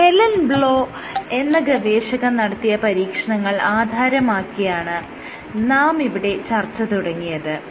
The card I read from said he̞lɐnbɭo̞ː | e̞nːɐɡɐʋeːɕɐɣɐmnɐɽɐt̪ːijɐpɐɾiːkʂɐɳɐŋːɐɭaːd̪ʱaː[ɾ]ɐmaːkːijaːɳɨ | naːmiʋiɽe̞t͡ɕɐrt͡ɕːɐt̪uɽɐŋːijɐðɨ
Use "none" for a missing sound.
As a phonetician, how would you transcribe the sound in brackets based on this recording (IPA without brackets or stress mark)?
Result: ɾ